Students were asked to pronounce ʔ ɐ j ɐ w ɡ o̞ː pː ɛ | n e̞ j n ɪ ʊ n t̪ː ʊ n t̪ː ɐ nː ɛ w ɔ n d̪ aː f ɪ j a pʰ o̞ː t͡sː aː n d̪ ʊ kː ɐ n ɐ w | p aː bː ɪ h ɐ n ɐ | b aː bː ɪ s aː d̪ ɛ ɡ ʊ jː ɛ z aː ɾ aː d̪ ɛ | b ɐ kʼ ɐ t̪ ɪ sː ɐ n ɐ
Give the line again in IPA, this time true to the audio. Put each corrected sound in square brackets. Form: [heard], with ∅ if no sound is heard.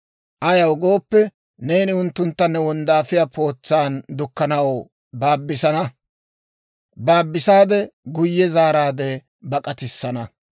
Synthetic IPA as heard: ʔ ɐ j ɐ w ɡ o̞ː pː ɛ | n e̞ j n ɪ ʊ n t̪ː ʊ n t̪ː ɐ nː ɛ w ɔ n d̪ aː f ɪ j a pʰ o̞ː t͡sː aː n d̪ ʊ kː ɐ n ɐ w | [b] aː bː ɪ [s] ɐ n ɐ | b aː bː ɪ s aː d̪ ɛ ɡ ʊ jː ɛ z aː ɾ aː d̪ ɛ | b ɐ kʼ ɐ t̪ ɪ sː ɐ n ɐ